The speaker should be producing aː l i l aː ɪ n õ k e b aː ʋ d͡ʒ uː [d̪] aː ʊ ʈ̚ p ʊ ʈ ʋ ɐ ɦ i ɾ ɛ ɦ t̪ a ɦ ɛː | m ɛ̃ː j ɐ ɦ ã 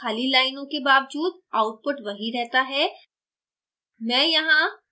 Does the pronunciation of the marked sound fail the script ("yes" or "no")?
no